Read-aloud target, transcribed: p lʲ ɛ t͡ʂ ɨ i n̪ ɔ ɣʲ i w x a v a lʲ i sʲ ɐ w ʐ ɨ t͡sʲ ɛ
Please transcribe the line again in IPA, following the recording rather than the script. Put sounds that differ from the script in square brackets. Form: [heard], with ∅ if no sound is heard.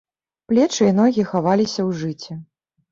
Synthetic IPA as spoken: p lʲ ɛ t͡ʂ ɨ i n̪ ɔ ɣʲ i [∅] x a v a lʲ i sʲ ɐ w ʐ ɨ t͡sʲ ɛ